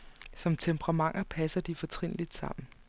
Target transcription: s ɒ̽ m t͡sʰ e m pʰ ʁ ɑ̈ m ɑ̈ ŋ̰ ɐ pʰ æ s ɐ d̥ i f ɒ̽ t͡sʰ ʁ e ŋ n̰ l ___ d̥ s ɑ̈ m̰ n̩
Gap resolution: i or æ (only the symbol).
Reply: i